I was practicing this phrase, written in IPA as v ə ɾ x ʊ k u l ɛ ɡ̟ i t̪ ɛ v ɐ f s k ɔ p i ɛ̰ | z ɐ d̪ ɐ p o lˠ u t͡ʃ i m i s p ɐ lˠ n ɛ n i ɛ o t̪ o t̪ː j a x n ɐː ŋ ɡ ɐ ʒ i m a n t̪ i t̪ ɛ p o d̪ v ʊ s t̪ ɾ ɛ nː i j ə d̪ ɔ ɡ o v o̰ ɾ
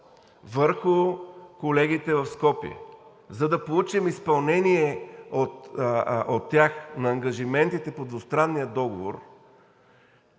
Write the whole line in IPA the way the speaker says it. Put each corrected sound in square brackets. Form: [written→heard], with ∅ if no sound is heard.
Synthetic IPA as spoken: v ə ɾ x ʊ k [u→o] l ɛ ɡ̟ i t̪ ɛ v ɐ f s k ɔ p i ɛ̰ | z ɐ d̪ ɐ p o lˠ u t͡ʃ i m i s p ɐ lˠ n ɛ n i ɛ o t̪ o t̪ː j a x n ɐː ŋ ɡ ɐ ʒ i m [a→ɛ] n t̪ i t̪ ɛ p o d̪ v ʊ s t̪ ɾ [ɛ→a] nː i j ə d̪ ɔ ɡ o v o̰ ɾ